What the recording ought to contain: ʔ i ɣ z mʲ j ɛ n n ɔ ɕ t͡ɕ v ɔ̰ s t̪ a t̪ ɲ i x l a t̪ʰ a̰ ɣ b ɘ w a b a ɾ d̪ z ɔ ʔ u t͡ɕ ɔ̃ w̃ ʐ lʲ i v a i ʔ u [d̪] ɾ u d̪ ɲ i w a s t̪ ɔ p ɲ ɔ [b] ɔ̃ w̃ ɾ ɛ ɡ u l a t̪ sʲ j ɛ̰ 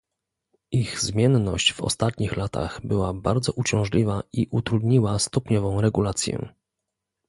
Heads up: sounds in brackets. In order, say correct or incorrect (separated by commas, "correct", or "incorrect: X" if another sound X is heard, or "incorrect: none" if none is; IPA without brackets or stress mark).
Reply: incorrect: t̪, incorrect: v